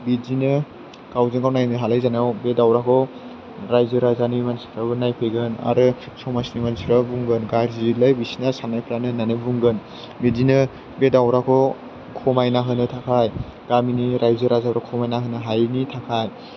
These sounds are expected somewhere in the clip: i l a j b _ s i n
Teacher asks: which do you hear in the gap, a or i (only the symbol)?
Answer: i